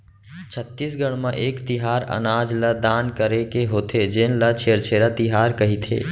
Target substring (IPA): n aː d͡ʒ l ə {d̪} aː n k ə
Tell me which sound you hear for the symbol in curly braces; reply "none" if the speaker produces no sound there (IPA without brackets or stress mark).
d̪